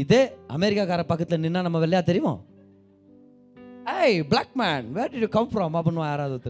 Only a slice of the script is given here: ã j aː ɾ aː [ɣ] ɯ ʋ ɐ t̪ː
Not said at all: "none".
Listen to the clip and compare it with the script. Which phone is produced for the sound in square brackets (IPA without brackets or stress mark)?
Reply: ð